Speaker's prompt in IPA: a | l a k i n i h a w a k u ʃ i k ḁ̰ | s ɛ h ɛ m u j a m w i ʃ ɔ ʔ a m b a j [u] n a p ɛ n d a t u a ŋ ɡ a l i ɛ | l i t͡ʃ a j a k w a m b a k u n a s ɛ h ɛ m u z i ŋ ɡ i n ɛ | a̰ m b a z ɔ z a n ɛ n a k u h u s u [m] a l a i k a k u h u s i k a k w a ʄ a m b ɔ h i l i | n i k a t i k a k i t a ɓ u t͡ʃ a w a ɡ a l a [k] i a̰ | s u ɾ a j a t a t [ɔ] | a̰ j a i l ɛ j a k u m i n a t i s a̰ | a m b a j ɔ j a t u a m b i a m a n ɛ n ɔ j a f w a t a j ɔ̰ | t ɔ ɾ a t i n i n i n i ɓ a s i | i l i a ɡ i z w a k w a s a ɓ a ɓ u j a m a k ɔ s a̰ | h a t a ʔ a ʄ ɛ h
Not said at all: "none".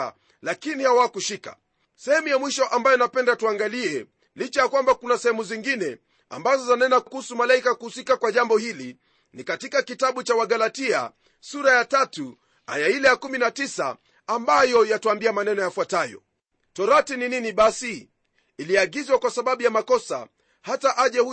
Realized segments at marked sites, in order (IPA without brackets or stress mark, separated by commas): ɔ, m, t, u